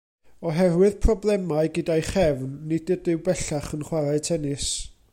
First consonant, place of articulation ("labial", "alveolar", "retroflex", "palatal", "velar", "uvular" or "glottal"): glottal